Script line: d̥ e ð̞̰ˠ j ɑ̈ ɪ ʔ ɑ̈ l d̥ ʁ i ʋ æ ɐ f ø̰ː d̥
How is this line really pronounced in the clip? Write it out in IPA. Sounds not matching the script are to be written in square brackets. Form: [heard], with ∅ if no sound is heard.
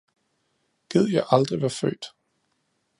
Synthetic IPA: [ɡ̥] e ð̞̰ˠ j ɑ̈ ɪ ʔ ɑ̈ l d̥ ʁ i ʋ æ ɐ f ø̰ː d̥